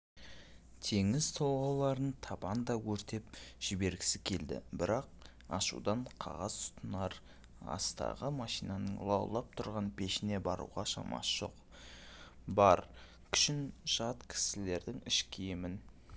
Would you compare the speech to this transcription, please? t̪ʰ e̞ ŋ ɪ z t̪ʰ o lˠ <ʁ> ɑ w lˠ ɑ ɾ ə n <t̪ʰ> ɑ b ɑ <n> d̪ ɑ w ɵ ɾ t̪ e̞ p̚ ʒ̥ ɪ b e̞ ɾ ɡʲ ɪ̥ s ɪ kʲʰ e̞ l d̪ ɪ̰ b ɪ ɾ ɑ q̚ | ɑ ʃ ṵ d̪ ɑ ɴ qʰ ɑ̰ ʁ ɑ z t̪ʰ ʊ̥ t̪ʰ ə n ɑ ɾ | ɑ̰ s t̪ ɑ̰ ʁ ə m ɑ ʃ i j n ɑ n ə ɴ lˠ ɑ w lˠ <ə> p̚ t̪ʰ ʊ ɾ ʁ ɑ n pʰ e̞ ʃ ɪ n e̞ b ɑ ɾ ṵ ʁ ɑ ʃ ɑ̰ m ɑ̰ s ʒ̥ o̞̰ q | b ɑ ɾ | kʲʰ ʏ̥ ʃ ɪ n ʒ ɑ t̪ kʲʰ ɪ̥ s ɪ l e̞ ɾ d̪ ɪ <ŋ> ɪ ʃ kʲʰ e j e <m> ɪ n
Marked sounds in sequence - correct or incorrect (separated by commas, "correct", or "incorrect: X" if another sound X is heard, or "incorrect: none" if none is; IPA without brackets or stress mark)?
correct, correct, correct, incorrect: ɑ, correct, correct